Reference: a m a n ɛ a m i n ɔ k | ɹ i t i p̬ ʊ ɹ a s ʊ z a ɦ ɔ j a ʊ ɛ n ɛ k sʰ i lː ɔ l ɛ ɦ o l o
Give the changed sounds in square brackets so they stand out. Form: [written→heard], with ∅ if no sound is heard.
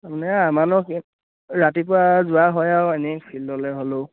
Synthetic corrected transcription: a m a n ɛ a m [i→a] n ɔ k | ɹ [i→a] t i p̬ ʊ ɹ a [s→z] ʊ [z→∅] a ɦ ɔ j a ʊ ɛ n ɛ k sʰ i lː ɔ l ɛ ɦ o l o